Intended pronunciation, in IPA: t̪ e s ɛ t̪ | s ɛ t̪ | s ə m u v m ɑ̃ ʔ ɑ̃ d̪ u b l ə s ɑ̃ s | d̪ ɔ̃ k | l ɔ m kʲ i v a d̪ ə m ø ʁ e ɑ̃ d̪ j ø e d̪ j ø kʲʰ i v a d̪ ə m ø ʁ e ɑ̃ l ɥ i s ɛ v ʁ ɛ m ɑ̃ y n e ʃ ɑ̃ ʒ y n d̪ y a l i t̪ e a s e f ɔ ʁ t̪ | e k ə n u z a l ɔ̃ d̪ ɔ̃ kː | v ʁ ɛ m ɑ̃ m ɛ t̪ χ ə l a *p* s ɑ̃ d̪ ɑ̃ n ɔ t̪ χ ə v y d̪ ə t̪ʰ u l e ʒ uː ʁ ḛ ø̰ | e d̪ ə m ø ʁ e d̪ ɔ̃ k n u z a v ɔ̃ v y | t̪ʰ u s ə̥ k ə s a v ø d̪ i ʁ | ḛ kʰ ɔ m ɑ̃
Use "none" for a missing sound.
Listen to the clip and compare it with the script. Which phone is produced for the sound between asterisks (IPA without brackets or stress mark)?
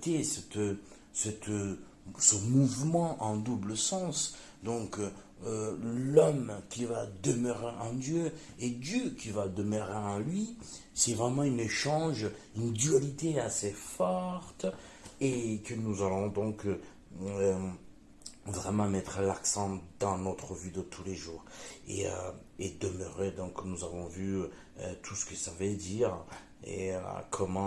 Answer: k